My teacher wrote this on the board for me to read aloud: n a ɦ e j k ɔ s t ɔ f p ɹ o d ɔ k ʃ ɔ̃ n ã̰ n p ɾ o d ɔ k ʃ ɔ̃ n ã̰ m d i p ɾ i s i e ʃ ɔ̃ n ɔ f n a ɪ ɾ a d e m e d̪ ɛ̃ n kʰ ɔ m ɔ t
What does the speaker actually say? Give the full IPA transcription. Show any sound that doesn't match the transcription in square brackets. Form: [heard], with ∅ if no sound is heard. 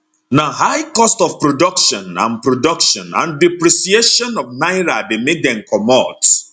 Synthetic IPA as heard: n a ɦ [a] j k ɔ s t ɔ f p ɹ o d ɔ k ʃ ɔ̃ n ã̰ n p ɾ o d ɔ k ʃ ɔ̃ n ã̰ [n] d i p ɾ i s i e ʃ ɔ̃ n ɔ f n a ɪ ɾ a d e m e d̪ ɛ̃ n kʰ ɔ m ɔ t